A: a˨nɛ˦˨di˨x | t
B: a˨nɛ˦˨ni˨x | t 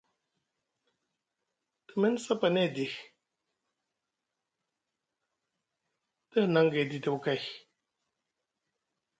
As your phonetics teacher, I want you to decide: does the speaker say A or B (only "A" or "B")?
A